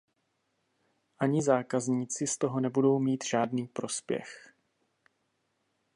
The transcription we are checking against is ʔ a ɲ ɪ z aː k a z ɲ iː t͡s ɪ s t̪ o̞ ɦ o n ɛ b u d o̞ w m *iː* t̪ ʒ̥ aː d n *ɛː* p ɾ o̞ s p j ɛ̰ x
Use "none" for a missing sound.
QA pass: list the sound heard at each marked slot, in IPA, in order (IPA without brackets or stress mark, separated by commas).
iː, iː